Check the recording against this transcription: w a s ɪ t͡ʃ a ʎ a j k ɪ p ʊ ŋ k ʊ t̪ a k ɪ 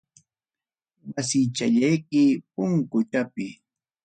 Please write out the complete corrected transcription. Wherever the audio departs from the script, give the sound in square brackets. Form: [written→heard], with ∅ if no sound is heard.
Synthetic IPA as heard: w a s ɪ t͡ʃ a ʎ a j k ɪ p ʊ ŋ k ʊ t̪ a [k→p] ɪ